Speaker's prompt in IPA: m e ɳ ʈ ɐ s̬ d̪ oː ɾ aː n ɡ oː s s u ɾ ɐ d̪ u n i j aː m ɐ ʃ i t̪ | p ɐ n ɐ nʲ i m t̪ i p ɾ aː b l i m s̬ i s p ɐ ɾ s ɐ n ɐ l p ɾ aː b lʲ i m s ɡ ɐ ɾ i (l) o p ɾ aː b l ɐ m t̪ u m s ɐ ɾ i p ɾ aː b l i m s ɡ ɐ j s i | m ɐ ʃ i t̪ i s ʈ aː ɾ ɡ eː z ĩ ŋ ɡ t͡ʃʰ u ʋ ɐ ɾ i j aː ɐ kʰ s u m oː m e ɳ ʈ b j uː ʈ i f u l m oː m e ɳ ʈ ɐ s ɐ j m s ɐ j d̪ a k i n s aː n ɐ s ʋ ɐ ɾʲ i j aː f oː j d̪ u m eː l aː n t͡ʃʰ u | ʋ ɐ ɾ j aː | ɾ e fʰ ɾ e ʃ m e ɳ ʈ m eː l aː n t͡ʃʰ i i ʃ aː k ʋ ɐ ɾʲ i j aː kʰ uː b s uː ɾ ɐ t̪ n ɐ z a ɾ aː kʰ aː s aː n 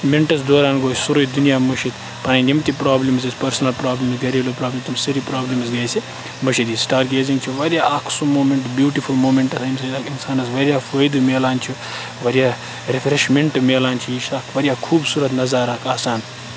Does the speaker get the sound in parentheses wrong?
no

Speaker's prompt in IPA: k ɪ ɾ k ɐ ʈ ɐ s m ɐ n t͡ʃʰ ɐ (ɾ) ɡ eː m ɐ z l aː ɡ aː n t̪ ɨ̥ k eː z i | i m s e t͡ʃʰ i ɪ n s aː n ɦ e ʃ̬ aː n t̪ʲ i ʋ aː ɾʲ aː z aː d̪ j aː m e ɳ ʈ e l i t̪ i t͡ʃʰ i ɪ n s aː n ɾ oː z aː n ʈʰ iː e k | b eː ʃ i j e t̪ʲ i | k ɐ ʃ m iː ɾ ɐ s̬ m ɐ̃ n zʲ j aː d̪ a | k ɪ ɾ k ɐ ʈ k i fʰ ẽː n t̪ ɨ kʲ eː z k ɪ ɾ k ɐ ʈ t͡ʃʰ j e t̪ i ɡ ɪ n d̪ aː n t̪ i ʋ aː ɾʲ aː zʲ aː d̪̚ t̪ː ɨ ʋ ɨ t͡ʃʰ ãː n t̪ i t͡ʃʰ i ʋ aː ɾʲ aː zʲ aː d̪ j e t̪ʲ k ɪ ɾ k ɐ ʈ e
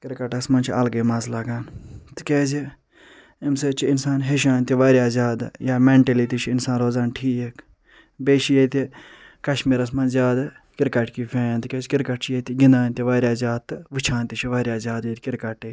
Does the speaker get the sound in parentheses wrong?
yes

